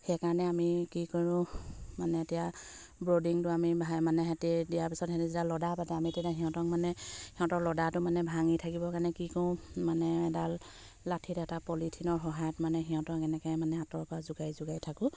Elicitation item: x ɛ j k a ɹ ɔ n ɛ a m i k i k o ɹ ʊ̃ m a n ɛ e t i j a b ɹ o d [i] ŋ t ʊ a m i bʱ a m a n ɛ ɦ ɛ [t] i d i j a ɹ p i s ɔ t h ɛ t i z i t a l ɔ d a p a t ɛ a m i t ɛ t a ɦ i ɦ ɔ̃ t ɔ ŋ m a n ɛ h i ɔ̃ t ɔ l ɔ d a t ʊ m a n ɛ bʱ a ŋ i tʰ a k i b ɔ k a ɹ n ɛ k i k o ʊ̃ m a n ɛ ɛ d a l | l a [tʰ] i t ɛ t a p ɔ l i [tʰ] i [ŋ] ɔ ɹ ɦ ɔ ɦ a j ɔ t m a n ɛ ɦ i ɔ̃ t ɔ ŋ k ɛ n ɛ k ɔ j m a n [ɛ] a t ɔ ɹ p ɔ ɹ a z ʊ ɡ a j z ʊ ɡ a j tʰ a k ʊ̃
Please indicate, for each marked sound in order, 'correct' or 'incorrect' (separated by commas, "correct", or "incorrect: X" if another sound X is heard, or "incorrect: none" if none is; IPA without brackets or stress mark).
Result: correct, correct, correct, correct, incorrect: n, correct